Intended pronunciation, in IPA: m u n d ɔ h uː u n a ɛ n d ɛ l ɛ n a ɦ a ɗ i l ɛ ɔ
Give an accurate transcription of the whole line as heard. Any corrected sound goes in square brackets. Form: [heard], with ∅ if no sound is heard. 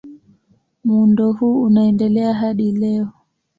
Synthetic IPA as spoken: m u n d ɔ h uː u n a ɛ n d ɛ l ɛ [∅] a ɦ a ɗ i l ɛ ɔ